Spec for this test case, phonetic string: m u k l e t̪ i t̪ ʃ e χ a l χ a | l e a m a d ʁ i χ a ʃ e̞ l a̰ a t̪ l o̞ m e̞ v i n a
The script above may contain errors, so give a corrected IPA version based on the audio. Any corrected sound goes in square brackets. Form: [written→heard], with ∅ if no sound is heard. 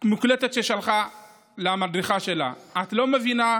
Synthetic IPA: m u k l e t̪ [i→e] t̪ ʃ e [χ→ʃ] a l χ a | l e a m a d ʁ i χ a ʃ e̞ l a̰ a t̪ l o̞ m e̞ v i n a

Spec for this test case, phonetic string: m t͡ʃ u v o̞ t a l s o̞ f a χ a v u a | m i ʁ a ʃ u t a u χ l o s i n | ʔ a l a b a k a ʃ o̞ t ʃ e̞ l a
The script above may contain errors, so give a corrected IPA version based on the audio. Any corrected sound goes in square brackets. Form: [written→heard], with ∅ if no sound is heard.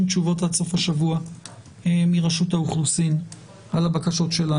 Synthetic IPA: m t͡ʃ u v o̞ t a l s o̞ f a [χ→ʃ] a v u a | m i ʁ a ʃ u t a u χ l [o→u] s i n | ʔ a l a b a k a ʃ o̞ t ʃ e̞ l a

